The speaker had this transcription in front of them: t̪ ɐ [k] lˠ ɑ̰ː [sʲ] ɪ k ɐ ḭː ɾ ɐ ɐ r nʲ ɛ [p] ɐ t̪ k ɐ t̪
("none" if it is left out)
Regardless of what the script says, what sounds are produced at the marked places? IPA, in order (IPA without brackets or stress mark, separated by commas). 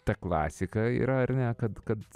k, sʲ, k